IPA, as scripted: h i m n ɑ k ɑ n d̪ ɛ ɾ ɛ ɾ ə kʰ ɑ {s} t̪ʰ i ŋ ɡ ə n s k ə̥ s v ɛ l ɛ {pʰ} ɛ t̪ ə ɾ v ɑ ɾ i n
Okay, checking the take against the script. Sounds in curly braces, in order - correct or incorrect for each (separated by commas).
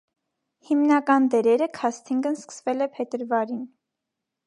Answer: correct, correct